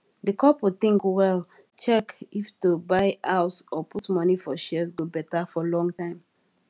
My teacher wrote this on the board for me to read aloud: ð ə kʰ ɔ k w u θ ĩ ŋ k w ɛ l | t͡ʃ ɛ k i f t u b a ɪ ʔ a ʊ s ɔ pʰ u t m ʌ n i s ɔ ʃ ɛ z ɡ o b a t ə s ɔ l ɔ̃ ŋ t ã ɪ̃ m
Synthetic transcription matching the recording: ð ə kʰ ɔ p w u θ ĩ ŋ k w ɛ l | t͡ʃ ɛ k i f t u b a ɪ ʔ a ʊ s ɔ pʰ u t m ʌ n i f ɔ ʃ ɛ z ɡ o b ɛ t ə f ɔ l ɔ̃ ŋ t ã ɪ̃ m